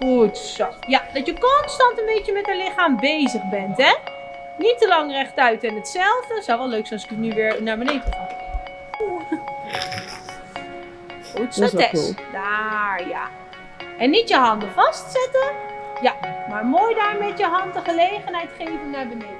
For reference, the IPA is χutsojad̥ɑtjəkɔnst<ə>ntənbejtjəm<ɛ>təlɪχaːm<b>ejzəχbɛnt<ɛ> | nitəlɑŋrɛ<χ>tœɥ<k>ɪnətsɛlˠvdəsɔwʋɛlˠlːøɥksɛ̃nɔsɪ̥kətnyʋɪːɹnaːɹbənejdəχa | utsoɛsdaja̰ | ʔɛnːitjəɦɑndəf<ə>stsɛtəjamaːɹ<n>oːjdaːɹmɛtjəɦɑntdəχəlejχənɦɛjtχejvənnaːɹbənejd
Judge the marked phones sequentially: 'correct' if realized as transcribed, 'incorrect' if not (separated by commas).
incorrect, correct, correct, correct, correct, incorrect, incorrect, incorrect